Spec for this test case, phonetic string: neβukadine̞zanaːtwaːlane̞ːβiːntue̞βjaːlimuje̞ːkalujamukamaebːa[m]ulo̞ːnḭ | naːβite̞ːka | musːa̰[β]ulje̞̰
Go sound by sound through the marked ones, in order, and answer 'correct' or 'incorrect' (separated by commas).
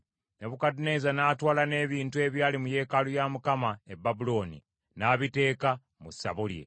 incorrect, correct